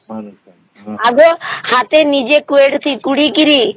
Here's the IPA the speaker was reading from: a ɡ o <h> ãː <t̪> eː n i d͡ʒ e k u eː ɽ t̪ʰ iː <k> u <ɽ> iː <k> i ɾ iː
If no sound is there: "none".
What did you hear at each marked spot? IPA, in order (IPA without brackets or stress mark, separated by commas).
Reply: h, t̪, k, ɽ, k